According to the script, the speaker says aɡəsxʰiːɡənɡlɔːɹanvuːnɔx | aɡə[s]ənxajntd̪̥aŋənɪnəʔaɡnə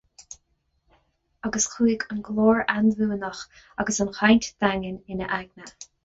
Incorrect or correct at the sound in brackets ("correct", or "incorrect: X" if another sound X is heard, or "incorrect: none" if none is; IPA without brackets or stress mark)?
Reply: correct